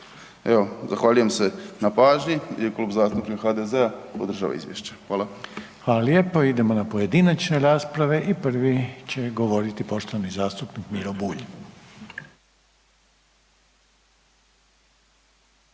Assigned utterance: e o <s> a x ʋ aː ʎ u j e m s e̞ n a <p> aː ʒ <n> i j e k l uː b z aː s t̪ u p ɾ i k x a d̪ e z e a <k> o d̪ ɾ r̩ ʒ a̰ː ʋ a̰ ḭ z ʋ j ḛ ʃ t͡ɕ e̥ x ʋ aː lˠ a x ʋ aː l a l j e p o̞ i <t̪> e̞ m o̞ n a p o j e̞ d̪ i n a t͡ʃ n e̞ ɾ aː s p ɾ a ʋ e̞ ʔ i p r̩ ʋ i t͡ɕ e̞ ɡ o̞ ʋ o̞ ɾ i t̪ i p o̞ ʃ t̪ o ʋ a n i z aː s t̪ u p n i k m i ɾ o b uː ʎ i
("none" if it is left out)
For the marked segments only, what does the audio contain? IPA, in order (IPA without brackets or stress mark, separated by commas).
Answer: z, p, ɲ, p, d̪